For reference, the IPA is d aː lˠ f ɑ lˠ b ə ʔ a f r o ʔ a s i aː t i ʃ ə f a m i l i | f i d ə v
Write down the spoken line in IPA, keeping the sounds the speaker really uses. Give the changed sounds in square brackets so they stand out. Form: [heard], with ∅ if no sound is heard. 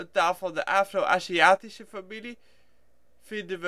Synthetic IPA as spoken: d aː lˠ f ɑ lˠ [d] ə ʔ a f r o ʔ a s i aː t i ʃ ə f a m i l i | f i d ə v